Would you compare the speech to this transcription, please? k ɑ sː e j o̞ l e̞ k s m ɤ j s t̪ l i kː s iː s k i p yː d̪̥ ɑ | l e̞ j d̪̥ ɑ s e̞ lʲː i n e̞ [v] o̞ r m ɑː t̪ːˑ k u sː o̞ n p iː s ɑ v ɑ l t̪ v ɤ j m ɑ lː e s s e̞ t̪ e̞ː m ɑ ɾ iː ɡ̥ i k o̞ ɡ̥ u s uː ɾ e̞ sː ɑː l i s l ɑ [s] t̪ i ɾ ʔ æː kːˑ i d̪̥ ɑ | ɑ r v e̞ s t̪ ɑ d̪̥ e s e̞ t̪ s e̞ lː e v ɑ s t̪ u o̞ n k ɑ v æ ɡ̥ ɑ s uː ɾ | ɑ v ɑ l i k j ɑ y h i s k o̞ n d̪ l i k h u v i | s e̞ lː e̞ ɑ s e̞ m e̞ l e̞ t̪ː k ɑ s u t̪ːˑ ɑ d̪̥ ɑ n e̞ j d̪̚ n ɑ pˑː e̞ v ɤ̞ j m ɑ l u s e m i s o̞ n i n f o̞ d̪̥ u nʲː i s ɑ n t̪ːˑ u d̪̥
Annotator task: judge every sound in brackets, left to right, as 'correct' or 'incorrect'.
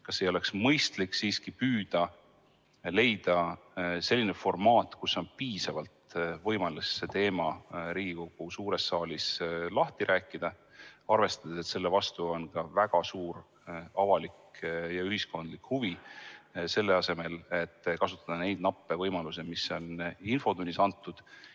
incorrect, incorrect

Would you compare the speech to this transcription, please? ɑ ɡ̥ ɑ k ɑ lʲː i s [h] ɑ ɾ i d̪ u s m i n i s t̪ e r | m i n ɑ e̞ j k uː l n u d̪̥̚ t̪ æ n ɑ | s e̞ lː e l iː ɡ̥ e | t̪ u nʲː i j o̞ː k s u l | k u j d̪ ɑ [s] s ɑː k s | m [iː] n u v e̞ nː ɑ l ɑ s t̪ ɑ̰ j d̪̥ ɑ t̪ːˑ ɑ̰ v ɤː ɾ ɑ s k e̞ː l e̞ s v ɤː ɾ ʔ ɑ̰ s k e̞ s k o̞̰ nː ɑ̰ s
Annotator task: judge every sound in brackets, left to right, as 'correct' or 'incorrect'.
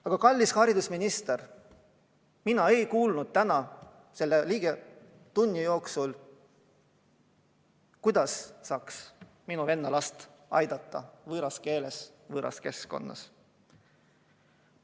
correct, correct, incorrect

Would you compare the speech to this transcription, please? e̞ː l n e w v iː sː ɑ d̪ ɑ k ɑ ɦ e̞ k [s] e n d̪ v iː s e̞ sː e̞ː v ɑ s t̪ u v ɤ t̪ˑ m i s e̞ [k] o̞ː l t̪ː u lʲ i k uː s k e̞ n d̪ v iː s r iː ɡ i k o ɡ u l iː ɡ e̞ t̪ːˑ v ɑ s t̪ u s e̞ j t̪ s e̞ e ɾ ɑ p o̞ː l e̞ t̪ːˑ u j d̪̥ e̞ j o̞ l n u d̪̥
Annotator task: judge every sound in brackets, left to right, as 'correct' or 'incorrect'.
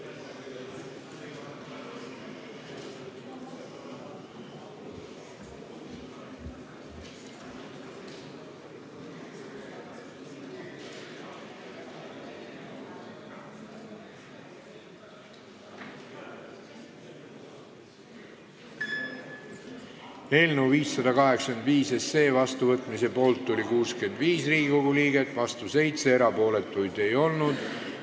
correct, incorrect

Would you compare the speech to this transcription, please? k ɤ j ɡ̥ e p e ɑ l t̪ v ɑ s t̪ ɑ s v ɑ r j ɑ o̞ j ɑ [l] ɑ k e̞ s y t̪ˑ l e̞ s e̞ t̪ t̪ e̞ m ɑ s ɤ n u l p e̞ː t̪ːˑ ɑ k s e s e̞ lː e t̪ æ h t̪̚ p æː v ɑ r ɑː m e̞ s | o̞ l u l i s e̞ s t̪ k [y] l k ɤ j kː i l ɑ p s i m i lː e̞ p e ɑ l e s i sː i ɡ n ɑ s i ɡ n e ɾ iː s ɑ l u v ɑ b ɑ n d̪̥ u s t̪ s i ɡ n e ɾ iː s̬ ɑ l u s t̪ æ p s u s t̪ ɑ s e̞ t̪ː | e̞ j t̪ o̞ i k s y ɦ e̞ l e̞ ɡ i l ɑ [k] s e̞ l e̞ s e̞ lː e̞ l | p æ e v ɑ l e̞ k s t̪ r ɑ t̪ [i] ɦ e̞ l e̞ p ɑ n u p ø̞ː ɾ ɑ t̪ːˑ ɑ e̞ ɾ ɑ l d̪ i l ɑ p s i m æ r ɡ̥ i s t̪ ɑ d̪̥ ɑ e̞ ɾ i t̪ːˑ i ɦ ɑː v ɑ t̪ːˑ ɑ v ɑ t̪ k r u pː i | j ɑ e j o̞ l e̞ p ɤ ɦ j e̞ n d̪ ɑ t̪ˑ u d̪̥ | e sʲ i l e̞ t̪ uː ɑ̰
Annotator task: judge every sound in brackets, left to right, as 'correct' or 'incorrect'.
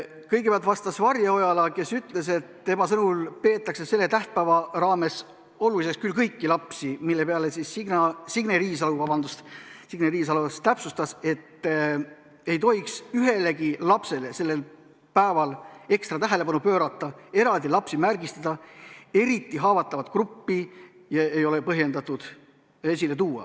correct, correct, incorrect, incorrect

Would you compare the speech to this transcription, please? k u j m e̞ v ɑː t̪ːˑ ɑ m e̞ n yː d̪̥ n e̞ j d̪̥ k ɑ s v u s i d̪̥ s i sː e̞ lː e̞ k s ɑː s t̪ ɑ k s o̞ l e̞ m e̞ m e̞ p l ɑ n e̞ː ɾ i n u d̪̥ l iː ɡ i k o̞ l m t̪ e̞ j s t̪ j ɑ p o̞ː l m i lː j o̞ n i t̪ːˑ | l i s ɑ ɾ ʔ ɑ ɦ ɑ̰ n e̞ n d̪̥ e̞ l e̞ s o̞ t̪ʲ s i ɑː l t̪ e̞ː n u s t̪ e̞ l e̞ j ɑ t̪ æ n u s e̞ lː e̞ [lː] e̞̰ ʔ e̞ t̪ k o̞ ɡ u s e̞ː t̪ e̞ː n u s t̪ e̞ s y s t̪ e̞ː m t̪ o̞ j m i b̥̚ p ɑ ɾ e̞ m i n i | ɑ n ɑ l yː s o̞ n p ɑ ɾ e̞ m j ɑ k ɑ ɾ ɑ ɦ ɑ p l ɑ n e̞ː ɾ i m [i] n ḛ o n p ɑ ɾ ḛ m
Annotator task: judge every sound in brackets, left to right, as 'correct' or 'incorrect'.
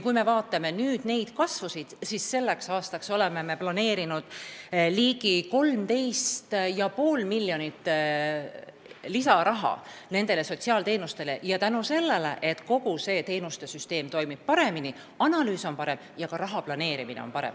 incorrect, correct

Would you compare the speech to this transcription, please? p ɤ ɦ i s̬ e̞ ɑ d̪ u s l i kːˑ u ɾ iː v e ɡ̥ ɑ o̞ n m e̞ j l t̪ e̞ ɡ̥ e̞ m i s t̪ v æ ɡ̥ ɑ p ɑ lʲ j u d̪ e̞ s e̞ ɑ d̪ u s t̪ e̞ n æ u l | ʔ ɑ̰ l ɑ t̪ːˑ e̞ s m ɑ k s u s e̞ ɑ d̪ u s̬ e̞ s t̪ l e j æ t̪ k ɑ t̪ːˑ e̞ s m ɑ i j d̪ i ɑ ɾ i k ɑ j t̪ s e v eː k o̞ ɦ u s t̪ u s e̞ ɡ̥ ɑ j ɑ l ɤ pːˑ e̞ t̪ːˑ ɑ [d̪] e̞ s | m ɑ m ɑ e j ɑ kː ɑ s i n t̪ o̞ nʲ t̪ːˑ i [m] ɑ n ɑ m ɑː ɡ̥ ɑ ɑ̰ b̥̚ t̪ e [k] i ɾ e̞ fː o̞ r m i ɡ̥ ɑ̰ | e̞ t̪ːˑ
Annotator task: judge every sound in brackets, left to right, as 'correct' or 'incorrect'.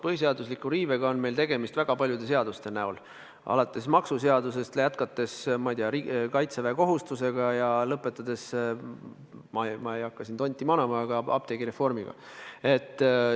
correct, correct, incorrect

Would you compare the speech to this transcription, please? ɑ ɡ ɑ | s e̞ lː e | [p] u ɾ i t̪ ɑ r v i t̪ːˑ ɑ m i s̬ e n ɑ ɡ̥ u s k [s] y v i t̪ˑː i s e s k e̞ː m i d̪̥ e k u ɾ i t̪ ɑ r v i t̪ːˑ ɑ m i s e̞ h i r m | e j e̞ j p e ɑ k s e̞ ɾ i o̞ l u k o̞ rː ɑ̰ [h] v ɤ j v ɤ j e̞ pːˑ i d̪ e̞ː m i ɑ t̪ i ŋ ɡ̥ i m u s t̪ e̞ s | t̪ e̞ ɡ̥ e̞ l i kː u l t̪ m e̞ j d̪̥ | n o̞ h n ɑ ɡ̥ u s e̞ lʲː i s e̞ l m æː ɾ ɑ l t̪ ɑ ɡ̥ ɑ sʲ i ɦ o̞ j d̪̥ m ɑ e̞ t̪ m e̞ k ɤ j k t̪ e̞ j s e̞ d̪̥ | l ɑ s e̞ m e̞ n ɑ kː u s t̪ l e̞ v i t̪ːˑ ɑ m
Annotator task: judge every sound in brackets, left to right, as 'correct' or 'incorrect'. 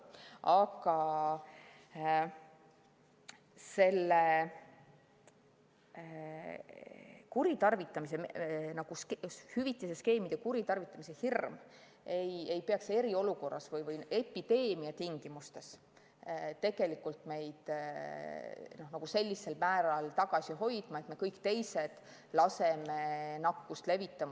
incorrect, incorrect, incorrect

